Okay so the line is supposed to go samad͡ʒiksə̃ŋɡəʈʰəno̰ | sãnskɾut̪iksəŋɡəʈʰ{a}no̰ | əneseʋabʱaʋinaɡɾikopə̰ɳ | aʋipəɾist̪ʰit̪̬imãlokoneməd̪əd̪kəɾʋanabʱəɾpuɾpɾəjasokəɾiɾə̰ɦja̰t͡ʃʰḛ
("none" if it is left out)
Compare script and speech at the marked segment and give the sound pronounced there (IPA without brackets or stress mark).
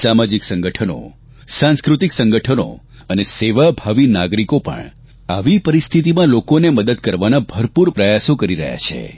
ə